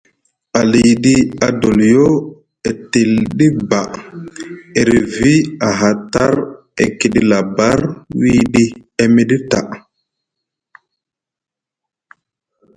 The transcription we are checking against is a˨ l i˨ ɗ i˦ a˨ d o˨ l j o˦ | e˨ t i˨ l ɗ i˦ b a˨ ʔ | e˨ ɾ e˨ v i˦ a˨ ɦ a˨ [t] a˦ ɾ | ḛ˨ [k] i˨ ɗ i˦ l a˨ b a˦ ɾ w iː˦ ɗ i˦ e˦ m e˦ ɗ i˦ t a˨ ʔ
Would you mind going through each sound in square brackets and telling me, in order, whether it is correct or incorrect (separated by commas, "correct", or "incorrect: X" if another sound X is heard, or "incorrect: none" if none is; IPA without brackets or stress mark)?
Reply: correct, correct